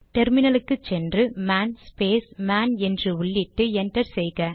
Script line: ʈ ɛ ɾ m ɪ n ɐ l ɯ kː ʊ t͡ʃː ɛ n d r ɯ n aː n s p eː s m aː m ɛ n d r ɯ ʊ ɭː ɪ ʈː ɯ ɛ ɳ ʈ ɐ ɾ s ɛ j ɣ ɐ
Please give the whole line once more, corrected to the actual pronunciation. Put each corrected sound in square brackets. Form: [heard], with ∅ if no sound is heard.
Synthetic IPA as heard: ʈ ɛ ɾ m ɪ n ɐ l ɯ kː [ɯ] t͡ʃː ɛ n d r ɯ [m] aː n s p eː s m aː [n] ɛ n d r ɯ ʊ ɭː ɪ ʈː ɯ ɛ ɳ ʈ ɐ ɾ s ɛ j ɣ ɐ